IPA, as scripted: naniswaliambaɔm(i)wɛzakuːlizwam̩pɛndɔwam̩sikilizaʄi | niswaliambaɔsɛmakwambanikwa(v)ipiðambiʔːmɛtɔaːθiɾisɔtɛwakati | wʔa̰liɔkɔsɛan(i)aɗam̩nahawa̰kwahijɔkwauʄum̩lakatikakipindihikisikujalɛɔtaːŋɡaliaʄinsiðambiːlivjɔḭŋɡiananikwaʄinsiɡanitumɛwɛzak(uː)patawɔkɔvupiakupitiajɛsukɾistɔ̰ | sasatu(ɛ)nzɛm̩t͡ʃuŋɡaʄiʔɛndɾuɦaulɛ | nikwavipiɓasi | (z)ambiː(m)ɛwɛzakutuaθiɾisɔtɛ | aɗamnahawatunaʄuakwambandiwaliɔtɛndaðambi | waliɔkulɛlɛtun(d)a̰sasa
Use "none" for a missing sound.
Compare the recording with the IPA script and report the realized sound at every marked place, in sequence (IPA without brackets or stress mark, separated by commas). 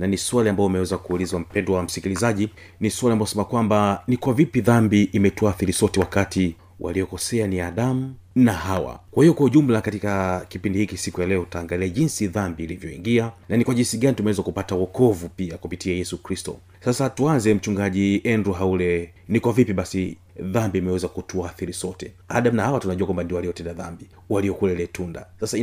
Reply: ɛ, v, i, u, a, ð, m, d